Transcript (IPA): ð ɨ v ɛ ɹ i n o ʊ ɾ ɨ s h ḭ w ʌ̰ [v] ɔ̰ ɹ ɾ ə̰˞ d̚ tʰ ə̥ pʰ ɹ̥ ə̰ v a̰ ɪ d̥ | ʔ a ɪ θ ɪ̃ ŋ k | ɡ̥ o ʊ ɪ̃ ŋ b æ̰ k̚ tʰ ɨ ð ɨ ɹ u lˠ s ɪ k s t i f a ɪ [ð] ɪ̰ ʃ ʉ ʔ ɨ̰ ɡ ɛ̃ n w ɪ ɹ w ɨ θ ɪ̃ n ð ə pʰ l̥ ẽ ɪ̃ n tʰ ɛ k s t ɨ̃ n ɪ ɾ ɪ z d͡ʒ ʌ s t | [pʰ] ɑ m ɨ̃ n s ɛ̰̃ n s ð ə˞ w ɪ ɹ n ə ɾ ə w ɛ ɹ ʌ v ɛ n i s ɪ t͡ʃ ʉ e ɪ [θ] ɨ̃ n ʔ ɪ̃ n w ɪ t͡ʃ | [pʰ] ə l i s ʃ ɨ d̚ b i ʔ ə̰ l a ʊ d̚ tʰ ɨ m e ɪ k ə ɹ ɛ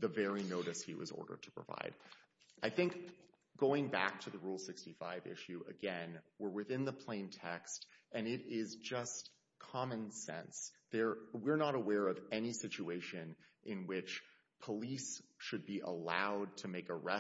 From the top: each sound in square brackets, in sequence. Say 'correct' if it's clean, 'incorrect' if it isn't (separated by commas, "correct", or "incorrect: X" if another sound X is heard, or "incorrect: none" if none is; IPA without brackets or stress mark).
incorrect: z, incorrect: v, incorrect: kʰ, incorrect: ʃ, correct